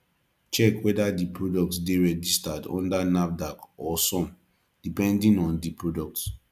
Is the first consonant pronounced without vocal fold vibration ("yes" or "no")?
yes